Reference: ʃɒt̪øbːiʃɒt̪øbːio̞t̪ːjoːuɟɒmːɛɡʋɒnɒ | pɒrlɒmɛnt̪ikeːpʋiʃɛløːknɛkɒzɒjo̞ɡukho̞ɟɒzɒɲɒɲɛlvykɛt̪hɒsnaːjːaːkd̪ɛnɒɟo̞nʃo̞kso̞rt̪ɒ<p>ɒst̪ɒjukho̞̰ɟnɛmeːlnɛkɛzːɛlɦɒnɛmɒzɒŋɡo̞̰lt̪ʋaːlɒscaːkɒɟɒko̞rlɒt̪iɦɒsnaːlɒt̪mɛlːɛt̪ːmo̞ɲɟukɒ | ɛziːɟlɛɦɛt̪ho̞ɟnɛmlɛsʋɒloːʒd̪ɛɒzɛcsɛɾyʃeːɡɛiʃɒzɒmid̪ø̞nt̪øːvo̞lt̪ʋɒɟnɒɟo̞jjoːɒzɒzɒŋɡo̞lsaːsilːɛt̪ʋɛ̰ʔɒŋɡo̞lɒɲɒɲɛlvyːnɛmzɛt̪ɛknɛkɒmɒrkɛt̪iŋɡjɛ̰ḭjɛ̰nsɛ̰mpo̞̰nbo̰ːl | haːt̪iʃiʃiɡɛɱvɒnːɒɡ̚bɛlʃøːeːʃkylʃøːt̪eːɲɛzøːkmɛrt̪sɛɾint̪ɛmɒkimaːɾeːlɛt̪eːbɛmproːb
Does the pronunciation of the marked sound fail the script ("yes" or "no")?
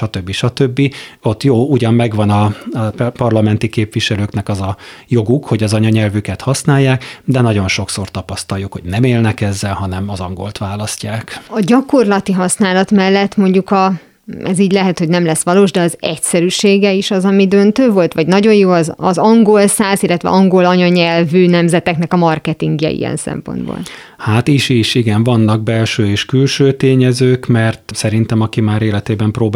no